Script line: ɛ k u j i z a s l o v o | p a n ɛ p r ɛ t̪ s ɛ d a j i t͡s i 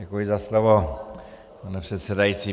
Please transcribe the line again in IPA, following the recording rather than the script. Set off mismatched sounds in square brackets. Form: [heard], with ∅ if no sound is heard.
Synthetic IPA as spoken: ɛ k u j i z a s l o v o | p a n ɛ p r ɛ t̪ s ɛ d a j i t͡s i

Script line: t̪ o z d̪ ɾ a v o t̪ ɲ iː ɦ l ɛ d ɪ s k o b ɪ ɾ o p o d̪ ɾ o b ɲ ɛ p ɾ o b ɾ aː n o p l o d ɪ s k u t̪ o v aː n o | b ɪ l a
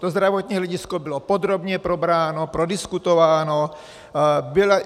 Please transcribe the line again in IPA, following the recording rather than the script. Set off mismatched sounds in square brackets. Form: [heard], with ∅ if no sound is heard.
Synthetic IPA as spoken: t̪ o z d̪ ɾ a v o t̪ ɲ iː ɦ l ɛ [ɟ] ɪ s k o b ɪ [l] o p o d̪ ɾ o b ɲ ɛ p ɾ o b ɾ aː n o p [ɾ] o d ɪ s k u t̪ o v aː n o | b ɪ l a

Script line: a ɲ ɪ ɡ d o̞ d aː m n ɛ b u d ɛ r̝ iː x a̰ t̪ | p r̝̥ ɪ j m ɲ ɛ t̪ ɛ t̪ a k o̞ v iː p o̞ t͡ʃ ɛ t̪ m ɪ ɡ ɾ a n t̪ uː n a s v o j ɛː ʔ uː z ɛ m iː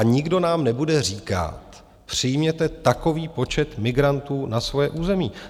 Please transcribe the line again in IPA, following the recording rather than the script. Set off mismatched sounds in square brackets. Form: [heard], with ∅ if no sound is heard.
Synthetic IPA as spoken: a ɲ ɪ ɡ d o̞ [n] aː m n ɛ b u d ɛ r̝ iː [k] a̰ t̪ | p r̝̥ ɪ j m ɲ ɛ t̪ ɛ t̪ a k o̞ v iː p o̞ t͡ʃ ɛ t̪ m ɪ ɡ ɾ a n t̪ uː n a s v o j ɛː ʔ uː z ɛ m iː

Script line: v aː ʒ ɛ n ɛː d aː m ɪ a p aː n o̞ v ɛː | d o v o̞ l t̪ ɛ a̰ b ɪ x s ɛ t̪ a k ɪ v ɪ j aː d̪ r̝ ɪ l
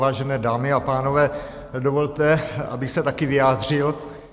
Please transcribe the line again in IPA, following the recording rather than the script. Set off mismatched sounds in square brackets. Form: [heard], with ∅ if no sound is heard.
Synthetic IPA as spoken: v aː ʒ ɛ n ɛː d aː m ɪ a p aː n o̞ v ɛː | d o v o̞ l t̪ ɛ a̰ b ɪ x s ɛ t̪ a k ɪ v ɪ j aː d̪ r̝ ɪ l

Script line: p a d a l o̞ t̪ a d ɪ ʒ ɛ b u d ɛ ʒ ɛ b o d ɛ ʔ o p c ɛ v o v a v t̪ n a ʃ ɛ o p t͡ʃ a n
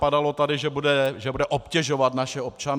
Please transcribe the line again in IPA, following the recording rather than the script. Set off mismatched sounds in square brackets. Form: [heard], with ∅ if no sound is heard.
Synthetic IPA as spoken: p a d a l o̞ t̪ a d ɪ ʒ ɛ b u d ɛ ʒ ɛ b [u] d ɛ ʔ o p c ɛ [ʒ] o v a [∅] t̪ n a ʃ ɛ o p t͡ʃ a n

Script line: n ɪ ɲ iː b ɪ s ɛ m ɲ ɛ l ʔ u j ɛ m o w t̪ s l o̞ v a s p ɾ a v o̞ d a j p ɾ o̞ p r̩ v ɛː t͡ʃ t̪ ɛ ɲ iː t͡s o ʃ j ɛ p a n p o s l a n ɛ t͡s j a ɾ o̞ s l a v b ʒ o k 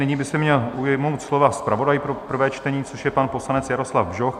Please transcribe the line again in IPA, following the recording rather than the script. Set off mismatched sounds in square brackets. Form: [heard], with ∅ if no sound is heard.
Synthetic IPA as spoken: n ɪ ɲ iː b ɪ s ɛ m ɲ ɛ l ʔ u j ɛ m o w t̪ s l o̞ v a s p ɾ a v o̞ d a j p ɾ o̞ p r̩ v ɛː t͡ʃ t̪ ɛ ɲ iː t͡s o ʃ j ɛ p a n p o s l a n ɛ t͡s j a ɾ o̞ s l a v b ʒ o [x]

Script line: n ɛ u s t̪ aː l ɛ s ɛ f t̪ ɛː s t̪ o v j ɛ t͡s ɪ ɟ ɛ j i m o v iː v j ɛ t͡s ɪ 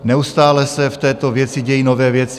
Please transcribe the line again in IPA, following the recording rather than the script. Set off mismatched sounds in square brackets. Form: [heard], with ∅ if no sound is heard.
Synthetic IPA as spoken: n ɛ u s t̪ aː l ɛ s ɛ f t̪ ɛː [∅] t̪ o v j ɛ t͡s ɪ ɟ ɛ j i [n] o v [ɛː] v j ɛ t͡s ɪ

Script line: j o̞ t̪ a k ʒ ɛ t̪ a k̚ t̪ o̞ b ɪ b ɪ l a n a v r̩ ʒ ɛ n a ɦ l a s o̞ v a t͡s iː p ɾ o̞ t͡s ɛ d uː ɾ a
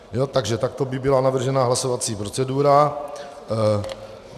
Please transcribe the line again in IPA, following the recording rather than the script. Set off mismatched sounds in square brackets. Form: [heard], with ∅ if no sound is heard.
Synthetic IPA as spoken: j o̞ t̪ a [ɡ] ʒ ɛ t̪ a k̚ t̪ o̞ b ɪ b ɪ l a n a v r̩ ʒ ɛ n a ɦ l a s o̞ v a t͡s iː p ɾ o̞ t͡s ɛ d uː ɾ a

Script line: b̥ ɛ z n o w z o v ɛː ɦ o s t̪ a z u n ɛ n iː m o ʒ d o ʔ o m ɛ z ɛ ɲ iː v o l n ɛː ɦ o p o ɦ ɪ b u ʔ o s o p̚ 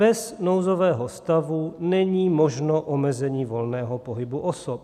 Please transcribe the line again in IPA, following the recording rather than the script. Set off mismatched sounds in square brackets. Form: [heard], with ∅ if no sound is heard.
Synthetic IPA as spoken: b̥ ɛ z n o w z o v ɛː ɦ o s t̪ a [v] u n ɛ [ɲ] iː m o ʒ [n] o ʔ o m ɛ z ɛ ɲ iː v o l n ɛː ɦ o p o ɦ ɪ b u ʔ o s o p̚

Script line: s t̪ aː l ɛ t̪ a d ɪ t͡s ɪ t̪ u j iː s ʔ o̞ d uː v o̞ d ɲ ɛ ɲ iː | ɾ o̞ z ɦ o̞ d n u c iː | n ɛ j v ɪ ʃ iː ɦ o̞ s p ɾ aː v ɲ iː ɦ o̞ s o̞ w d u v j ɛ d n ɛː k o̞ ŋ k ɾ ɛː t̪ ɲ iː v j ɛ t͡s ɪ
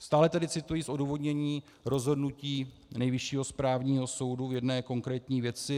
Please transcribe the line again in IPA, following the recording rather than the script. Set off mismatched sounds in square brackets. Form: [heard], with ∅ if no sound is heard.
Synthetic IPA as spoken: s t̪ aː l ɛ t̪ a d ɪ t͡s ɪ t̪ u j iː s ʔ o̞ d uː v o̞ d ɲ ɛ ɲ iː | ɾ o̞ z ɦ o̞ d n u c iː | n ɛ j v ɪ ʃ iː ɦ o̞ s p ɾ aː v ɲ iː ɦ o̞ s o̞ w d u v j ɛ d n ɛː k o̞ ŋ k ɾ ɛː t̪ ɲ iː v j ɛ t͡s ɪ

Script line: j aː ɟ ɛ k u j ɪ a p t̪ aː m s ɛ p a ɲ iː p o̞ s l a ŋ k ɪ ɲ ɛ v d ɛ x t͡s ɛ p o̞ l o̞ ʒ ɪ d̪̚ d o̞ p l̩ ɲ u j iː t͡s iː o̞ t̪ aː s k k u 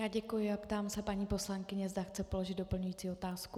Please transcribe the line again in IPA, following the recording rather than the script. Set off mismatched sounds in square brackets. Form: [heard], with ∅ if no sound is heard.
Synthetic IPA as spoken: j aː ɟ ɛ k u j ɪ a p t̪ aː m s ɛ p a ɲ iː p o̞ s l a ŋ k ɪ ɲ ɛ [z] d [a] x t͡s ɛ p o̞ l o̞ ʒ ɪ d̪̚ d o̞ p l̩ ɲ u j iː t͡s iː o̞ t̪ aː s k k u

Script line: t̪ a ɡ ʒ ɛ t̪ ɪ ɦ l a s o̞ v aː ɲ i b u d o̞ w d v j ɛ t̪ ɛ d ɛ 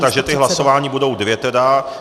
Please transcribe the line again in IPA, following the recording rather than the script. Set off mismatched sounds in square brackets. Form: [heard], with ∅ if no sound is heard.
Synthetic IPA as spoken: t̪ a ɡ ʒ ɛ t̪ ɪ ɦ l a s o̞ v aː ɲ i b u d o̞ w d v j ɛ t̪ ɛ d [a]

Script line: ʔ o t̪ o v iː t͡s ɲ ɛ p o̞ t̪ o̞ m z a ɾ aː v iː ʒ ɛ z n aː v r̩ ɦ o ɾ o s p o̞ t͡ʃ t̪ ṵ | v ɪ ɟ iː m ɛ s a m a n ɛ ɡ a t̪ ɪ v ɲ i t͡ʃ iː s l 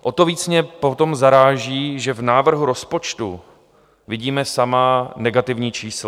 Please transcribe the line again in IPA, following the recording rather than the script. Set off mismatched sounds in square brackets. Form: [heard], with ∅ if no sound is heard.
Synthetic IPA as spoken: ʔ o t̪ o v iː t͡s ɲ ɛ p o̞ t̪ o̞ m z a ɾ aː [ʒ] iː ʒ ɛ [v] n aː v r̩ ɦ [u] ɾ o s p o̞ t͡ʃ t̪ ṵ | v ɪ ɟ iː m ɛ s a m a n ɛ ɡ a t̪ ɪ v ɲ [iː] t͡ʃ iː s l

